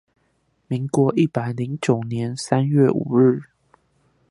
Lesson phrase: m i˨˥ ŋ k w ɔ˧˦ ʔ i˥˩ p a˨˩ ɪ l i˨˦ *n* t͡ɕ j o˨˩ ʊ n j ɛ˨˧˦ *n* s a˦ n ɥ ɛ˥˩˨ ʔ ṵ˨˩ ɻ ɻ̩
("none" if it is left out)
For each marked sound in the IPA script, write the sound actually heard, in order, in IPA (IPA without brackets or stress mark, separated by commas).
ŋ, n